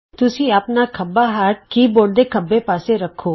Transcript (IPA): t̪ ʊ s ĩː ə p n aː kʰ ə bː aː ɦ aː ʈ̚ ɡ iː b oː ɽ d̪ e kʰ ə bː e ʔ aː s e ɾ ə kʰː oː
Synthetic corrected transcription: t̪ ʊ s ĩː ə p n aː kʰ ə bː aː ɦ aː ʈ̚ k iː b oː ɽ d̪ e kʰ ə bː e p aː s e ɾ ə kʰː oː